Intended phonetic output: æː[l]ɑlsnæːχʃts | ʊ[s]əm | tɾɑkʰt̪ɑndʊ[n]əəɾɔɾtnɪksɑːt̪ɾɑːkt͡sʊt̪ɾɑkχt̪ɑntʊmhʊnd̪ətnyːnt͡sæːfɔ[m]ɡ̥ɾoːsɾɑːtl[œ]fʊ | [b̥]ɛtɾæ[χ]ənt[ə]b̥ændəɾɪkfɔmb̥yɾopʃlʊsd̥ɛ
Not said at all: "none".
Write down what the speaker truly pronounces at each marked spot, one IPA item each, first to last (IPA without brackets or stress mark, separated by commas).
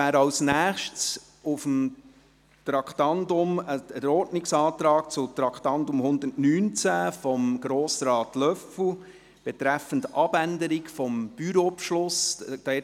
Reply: ɾ, f, m, m, œ, b̥, f, ɑ